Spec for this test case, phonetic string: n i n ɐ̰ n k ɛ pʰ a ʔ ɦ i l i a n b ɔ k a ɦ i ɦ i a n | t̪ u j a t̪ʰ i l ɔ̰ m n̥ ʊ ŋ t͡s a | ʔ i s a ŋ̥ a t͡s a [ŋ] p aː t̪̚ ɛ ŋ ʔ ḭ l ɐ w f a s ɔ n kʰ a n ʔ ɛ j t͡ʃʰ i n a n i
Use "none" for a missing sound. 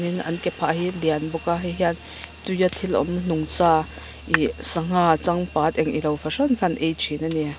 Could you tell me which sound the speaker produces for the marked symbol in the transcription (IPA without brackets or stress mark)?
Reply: ŋ